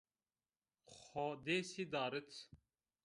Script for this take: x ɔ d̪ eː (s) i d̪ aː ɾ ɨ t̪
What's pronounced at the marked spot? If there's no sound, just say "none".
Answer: s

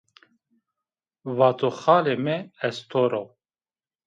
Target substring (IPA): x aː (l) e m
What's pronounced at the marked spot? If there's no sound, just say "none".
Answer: l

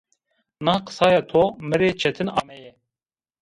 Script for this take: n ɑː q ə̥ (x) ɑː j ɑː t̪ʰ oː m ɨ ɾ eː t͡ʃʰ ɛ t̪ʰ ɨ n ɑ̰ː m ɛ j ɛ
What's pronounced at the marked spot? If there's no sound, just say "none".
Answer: s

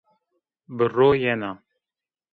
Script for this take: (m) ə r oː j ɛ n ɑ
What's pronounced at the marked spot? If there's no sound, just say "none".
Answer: b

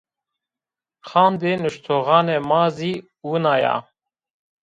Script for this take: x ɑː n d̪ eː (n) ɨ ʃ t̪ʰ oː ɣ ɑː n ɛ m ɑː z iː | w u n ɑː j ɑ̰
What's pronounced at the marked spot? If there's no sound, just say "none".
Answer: n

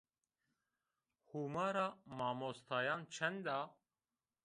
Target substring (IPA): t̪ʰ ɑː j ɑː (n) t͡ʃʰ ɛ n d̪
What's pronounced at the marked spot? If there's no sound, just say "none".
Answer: n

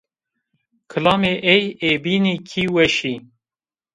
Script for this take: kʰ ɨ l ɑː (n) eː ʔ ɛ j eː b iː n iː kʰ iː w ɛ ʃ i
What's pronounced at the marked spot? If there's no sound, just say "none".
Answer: m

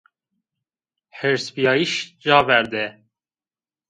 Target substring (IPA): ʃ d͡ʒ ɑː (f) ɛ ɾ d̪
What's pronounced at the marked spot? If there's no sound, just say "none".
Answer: v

